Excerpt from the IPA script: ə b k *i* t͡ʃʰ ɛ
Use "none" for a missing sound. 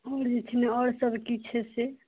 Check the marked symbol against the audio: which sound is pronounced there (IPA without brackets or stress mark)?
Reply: i